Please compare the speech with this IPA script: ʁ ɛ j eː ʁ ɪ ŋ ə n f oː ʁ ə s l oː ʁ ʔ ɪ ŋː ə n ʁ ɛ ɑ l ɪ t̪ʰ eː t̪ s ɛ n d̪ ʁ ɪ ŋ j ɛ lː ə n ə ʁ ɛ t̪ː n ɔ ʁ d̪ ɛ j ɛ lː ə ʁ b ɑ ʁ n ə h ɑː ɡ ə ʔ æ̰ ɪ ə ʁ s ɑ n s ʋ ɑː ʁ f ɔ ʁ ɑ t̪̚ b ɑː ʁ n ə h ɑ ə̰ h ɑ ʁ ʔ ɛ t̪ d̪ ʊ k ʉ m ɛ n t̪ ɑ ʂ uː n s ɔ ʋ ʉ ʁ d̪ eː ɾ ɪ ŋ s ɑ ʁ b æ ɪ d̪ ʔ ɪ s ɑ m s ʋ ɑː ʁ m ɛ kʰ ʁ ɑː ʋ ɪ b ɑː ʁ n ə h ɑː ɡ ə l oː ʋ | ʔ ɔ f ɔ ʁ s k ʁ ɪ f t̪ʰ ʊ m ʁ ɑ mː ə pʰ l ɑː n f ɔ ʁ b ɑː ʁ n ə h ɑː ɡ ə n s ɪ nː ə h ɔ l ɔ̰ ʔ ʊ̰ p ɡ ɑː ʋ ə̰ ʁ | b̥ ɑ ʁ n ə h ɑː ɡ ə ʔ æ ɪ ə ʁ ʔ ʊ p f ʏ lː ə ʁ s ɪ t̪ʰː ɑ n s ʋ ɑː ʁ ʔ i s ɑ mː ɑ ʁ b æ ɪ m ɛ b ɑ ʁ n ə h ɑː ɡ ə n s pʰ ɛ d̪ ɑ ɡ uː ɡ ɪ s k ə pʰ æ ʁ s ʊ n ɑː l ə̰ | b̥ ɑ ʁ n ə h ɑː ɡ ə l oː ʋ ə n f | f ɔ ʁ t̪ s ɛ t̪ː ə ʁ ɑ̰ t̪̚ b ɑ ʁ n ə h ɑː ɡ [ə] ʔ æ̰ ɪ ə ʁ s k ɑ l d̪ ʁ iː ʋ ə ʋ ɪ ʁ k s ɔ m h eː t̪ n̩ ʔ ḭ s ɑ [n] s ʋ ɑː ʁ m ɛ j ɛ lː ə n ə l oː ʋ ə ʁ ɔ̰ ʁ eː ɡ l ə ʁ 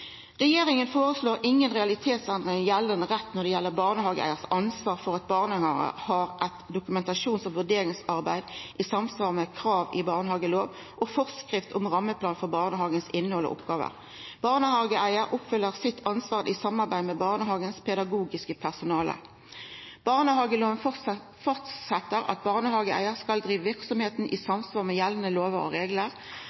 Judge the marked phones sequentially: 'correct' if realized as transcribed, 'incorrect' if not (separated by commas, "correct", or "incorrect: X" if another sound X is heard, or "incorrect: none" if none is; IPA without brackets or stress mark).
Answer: correct, incorrect: m